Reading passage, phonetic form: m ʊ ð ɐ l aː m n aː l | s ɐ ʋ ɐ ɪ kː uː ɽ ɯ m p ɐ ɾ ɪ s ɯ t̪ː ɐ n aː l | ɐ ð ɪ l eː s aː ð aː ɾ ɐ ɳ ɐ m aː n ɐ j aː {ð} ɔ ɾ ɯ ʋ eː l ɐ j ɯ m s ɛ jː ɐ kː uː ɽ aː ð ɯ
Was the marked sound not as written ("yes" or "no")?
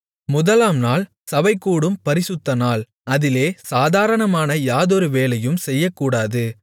no